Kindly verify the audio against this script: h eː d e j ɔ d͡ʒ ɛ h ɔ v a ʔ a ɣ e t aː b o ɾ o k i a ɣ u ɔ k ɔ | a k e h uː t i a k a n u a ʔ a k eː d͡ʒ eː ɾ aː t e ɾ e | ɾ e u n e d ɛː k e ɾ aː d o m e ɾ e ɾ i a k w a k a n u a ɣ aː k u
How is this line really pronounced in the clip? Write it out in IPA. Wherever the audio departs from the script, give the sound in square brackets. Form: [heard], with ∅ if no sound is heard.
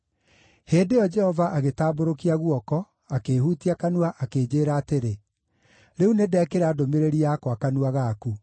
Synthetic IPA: h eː d e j ɔ d͡ʒ ɛ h ɔ v a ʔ a ɣ e t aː b o ɾ o k i a ɣ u ɔ k ɔ | a k e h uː t i a k a n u a ʔ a k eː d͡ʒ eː ɾ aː t e ɾ e | ɾ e u n e d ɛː k e ɾ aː d o m e ɾ e ɾ i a k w a k a n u a ɣ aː k u